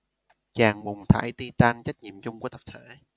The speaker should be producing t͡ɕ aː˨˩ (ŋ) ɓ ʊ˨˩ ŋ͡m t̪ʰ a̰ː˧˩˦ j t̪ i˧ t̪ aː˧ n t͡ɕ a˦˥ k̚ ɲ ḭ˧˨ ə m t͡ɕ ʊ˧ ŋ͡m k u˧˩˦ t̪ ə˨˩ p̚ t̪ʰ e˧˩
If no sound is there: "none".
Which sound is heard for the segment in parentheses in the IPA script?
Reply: ŋ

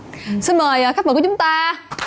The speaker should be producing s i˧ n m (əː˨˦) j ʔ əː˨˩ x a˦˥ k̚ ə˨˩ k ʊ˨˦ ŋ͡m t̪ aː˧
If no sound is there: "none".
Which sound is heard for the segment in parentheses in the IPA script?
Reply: əː˨˩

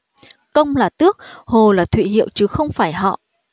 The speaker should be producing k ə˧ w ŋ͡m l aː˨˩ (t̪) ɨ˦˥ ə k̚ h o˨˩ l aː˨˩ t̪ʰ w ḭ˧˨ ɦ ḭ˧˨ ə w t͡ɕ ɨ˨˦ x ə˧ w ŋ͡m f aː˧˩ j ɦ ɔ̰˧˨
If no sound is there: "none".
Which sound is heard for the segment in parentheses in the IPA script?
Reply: t̪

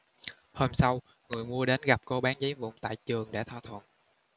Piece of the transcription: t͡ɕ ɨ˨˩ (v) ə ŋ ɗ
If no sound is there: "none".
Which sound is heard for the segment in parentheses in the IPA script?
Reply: none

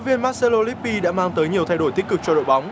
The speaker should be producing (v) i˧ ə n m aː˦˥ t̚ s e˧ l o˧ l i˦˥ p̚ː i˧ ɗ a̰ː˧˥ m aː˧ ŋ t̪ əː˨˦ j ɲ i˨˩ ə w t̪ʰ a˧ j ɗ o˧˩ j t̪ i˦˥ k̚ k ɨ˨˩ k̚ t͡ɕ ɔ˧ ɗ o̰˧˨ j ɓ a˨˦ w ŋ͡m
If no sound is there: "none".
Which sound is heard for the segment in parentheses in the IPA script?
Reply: v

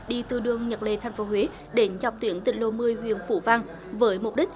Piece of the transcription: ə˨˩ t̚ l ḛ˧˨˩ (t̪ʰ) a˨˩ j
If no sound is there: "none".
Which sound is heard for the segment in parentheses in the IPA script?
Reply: t̪ʰ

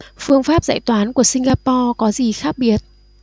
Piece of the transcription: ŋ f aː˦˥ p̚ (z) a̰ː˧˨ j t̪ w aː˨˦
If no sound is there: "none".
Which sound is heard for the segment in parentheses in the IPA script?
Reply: z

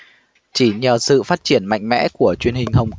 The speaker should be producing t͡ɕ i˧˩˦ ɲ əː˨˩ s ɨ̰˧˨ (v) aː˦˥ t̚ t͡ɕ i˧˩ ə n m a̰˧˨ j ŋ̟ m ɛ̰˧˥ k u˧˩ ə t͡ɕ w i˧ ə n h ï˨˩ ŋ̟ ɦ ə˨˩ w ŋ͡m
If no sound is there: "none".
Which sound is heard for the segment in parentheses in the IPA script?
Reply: f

